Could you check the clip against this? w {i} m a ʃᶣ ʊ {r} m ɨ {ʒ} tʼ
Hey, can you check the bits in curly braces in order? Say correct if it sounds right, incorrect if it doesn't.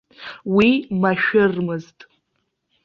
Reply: correct, correct, incorrect

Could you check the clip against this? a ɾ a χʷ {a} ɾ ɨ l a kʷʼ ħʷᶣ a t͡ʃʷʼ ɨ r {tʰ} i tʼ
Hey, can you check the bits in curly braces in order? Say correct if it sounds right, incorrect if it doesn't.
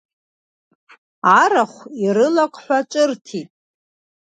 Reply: incorrect, correct

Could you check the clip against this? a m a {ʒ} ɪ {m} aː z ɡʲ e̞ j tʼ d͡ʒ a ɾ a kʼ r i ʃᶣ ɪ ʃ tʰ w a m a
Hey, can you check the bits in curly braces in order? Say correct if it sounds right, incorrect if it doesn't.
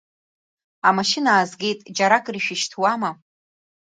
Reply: incorrect, incorrect

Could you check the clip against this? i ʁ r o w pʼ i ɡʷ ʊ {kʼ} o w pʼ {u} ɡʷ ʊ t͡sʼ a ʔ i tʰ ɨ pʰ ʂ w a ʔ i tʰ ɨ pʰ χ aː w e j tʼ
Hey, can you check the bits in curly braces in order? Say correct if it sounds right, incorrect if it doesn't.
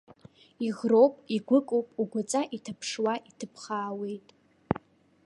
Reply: correct, correct

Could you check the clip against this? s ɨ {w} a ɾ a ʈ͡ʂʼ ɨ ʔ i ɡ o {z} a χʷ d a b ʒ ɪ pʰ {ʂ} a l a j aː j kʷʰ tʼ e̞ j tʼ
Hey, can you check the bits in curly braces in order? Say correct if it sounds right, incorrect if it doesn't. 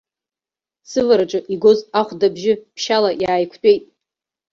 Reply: incorrect, correct, incorrect

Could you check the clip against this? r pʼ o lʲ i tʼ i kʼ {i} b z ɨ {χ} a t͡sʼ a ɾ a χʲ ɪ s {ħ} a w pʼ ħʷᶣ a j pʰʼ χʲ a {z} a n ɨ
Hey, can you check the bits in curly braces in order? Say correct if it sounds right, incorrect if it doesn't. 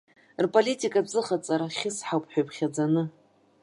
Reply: incorrect, correct, correct, incorrect

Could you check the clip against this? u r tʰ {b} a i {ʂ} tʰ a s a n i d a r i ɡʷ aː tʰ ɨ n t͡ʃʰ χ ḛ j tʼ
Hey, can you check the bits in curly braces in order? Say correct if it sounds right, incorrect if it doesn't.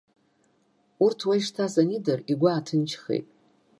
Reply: incorrect, correct

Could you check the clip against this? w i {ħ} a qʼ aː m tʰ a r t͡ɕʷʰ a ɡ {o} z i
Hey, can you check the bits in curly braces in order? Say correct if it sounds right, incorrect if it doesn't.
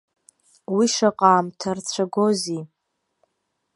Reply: incorrect, correct

